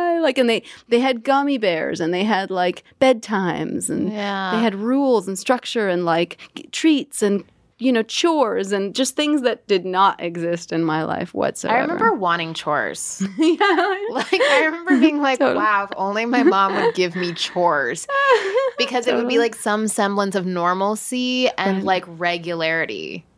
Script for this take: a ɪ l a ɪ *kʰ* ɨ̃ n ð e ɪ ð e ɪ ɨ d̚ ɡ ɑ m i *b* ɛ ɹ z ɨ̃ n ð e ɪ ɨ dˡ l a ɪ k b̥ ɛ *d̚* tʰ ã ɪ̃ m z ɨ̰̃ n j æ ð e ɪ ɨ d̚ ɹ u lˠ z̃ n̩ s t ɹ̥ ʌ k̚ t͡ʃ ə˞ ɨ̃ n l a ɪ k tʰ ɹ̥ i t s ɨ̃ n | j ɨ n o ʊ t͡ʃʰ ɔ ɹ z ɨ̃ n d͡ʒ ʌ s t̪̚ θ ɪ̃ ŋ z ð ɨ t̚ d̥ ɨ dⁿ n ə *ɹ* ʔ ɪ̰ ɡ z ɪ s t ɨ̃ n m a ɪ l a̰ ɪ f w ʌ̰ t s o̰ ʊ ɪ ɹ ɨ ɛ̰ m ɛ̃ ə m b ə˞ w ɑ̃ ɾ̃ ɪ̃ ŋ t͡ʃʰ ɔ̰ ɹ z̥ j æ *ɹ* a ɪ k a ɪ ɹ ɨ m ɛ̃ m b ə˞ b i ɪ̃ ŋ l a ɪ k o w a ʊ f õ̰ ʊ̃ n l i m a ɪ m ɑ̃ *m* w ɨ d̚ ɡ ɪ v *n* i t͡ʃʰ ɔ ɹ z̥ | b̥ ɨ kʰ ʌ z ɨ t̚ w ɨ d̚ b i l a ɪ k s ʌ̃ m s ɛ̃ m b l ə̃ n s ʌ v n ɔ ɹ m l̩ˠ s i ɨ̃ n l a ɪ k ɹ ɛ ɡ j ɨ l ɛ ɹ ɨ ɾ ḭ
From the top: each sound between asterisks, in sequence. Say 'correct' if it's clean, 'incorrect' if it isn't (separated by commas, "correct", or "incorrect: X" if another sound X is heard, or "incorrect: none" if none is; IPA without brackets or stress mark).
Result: incorrect: k, correct, correct, incorrect: ɾ, incorrect: l, correct, incorrect: m